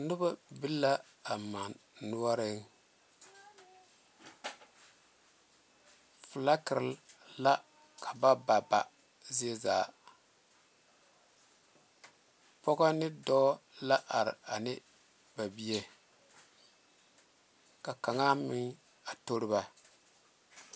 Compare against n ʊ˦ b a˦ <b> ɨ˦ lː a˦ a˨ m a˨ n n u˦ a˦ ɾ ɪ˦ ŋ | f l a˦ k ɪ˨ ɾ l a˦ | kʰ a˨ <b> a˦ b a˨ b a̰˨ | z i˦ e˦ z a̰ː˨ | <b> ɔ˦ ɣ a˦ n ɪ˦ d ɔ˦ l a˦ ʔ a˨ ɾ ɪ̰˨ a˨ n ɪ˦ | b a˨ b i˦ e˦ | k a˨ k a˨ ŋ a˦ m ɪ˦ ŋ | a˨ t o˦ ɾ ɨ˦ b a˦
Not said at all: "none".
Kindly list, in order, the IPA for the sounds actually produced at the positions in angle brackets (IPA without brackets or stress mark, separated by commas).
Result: b, b, p